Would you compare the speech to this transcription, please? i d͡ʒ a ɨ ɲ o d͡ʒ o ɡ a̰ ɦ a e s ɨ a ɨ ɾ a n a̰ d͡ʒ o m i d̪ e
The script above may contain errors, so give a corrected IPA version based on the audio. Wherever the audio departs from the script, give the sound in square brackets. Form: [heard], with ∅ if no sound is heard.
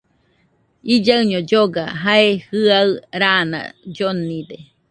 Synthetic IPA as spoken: i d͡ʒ a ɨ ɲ o d͡ʒ o ɡ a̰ ɦ a e [h] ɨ a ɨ ɾ a n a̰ d͡ʒ o [n] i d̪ e